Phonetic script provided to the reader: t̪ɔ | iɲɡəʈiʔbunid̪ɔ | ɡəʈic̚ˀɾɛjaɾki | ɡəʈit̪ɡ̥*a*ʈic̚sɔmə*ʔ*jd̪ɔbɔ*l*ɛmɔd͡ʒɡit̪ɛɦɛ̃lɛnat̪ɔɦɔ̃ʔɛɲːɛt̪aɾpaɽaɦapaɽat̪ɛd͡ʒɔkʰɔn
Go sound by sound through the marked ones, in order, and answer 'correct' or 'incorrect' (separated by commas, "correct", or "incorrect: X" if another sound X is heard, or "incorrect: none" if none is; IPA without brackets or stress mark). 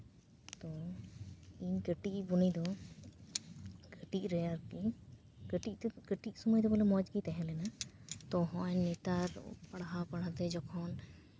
incorrect: ə, incorrect: none, correct